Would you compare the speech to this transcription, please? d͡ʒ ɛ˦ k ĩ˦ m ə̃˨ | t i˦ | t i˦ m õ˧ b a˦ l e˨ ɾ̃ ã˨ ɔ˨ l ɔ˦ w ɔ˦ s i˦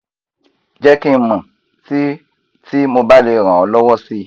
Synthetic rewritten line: d͡ʒ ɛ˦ k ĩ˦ m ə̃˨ | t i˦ | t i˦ m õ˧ b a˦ l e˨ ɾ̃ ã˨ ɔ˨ l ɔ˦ w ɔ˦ s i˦

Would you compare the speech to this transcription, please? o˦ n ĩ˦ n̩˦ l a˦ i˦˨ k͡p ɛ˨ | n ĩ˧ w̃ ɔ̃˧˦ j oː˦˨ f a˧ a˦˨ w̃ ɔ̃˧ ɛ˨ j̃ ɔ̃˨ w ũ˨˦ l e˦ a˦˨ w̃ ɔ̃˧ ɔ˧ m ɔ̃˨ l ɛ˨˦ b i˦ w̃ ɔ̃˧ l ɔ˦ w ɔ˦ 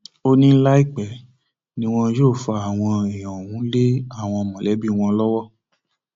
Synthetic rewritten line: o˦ n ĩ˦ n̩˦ l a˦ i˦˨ k͡p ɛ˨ | n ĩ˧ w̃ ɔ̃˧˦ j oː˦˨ f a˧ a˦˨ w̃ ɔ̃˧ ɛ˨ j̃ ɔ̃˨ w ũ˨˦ l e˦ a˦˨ w̃ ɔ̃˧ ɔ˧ m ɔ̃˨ l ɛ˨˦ b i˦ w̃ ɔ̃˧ l ɔ˦ w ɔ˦

